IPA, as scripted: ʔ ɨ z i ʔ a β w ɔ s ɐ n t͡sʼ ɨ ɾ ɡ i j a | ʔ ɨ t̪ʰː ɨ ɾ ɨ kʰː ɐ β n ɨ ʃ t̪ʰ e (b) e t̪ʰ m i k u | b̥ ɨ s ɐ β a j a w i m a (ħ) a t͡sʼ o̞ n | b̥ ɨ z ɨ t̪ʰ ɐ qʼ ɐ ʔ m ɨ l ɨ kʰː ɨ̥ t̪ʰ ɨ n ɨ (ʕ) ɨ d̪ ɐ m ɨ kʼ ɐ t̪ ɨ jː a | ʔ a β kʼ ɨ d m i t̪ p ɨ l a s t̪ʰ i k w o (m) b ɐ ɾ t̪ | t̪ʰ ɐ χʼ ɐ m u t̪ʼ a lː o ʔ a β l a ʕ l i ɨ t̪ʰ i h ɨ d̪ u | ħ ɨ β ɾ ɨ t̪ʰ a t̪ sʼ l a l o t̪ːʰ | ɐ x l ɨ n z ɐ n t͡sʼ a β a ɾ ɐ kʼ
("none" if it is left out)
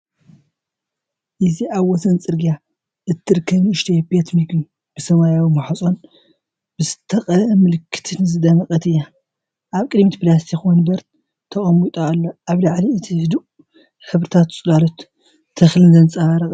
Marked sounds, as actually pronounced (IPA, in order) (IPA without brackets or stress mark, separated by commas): b, ħ, z, n